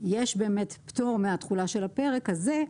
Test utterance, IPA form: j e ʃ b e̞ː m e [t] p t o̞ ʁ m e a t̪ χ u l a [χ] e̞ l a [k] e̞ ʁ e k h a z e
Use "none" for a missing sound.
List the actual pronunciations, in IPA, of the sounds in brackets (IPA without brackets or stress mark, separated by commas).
t, ʃ, p